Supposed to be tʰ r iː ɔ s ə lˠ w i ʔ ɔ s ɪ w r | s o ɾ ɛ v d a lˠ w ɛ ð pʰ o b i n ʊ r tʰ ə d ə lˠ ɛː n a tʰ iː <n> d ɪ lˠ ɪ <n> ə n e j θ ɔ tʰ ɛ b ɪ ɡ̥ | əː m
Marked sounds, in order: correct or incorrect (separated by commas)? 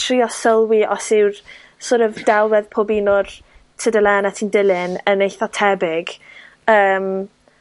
correct, correct